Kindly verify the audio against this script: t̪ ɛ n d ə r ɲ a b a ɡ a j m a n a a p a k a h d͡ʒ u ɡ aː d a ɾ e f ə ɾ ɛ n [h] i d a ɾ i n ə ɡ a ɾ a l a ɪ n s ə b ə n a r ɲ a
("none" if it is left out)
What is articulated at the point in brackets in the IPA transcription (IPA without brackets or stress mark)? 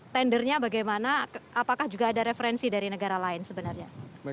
s